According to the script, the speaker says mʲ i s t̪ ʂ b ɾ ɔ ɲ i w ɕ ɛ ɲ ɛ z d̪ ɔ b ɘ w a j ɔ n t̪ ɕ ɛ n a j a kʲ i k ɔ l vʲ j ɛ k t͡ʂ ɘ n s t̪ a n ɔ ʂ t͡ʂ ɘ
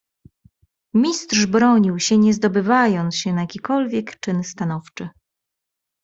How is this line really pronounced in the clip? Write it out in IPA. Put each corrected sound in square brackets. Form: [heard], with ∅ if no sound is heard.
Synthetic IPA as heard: mʲ i s t̪ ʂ b ɾ ɔ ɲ i w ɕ ɛ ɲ ɛ z d̪ ɔ b ɘ [v] a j ɔ n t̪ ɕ ɛ n a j a kʲ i k ɔ l vʲ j ɛ k t͡ʂ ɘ n s t̪ a n ɔ [f] t͡ʂ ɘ